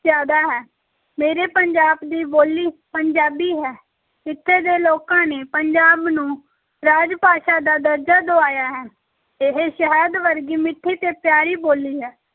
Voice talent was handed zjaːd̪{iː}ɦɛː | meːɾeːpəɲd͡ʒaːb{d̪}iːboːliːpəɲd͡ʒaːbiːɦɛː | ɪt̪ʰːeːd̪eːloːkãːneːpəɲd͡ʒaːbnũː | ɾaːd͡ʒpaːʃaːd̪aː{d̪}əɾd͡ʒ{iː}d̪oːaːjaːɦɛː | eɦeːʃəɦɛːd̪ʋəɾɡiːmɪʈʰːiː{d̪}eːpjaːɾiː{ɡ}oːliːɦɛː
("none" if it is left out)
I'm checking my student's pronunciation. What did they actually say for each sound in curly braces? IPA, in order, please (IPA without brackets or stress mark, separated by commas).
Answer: aː, d̪, d̪, aː, t̪, b